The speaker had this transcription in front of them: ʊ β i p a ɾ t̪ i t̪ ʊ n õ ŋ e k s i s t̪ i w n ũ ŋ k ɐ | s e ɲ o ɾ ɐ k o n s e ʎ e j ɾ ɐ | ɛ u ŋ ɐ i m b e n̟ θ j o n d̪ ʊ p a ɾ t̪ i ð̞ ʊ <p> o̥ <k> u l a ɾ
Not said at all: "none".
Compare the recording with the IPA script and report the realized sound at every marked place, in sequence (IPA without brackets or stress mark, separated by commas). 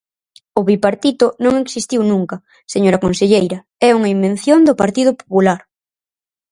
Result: p, p